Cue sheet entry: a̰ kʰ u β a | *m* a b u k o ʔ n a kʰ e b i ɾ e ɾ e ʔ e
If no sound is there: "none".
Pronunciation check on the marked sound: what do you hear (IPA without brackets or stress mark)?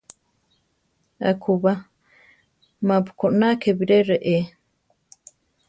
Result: m